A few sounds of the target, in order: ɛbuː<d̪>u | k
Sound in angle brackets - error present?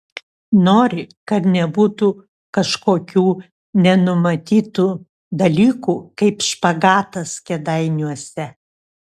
yes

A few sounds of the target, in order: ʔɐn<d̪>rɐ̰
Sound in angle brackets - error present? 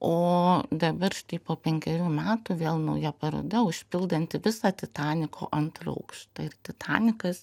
yes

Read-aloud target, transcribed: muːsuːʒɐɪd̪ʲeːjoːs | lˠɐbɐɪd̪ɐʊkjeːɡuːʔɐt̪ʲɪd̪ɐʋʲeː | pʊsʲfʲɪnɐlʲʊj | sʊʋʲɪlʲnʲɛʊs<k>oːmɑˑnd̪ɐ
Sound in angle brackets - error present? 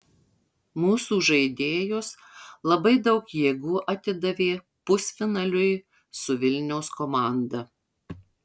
no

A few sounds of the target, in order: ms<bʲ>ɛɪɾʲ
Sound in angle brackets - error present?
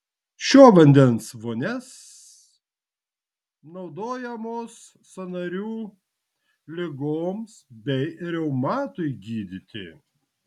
no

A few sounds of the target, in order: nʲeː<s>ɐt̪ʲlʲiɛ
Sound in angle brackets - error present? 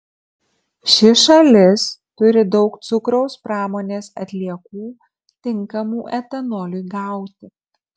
no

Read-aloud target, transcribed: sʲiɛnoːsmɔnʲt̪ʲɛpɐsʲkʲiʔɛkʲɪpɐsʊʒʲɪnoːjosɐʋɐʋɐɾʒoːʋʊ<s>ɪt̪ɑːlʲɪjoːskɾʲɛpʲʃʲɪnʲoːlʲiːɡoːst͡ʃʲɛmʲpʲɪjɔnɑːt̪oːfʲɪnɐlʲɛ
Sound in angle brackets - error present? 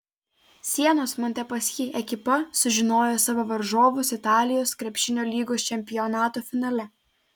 no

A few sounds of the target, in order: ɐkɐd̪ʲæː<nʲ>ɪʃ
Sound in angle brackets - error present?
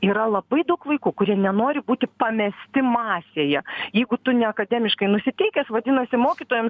yes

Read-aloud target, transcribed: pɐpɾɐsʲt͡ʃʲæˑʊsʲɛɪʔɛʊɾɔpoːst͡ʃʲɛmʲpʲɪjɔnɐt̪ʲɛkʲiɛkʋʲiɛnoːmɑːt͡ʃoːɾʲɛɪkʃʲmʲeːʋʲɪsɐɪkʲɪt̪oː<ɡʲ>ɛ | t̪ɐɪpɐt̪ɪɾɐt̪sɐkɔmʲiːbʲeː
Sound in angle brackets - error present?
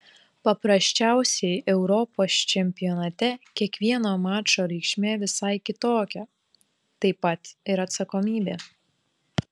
yes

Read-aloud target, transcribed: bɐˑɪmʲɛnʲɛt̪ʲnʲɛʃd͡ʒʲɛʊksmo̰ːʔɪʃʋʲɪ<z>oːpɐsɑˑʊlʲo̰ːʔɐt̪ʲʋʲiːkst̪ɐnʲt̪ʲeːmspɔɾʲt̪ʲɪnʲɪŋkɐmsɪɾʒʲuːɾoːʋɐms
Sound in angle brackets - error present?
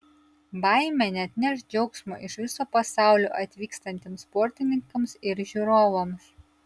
yes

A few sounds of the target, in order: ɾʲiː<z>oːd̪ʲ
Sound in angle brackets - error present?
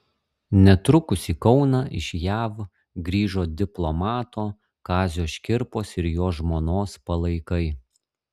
yes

